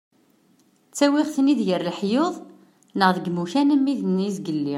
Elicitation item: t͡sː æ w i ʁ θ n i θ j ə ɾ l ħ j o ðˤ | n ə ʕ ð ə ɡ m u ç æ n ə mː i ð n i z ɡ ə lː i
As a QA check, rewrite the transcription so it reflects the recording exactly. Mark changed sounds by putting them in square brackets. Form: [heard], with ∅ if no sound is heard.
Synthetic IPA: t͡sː æ w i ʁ θ n i [ð] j ə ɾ l ħ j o ðˤ | n ə [ʁ] ð ə ɡ m u ç æ n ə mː i ð n i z ɡ ə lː i